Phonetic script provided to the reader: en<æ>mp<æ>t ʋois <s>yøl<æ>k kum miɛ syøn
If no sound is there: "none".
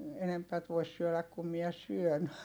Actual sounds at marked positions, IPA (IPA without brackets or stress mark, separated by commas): e, æ, s, æ